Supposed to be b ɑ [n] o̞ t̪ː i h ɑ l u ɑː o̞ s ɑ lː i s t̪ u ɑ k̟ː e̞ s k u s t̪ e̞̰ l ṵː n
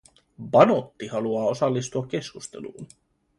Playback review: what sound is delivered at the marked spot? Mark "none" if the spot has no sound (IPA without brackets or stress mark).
n